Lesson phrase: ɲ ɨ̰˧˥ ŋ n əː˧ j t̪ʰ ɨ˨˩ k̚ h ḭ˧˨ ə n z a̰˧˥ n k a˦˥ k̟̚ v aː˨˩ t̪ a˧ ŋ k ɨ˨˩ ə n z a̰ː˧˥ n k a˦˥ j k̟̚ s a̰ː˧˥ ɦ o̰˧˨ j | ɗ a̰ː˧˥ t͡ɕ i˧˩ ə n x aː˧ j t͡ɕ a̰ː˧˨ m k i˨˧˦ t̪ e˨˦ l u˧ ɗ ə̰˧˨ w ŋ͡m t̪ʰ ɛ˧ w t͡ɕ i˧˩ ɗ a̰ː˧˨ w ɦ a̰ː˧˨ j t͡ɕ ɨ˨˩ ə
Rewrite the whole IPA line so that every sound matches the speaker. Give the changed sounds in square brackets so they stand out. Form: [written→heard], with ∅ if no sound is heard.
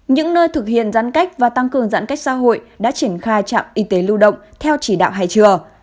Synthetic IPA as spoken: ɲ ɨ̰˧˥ ŋ n əː˧ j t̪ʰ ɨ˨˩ k̚ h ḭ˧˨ ə n z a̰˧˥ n k a˦˥ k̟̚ v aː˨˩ t̪ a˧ ŋ k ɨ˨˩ ə [n→ŋ] z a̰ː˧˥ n k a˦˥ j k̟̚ s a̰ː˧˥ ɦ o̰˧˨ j | ɗ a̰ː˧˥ t͡ɕ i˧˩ ə n x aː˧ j t͡ɕ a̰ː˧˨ m [k→ʔ] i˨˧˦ t̪ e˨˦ l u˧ ɗ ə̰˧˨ w ŋ͡m t̪ʰ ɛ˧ w t͡ɕ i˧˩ ɗ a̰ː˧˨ w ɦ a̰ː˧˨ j t͡ɕ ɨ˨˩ ə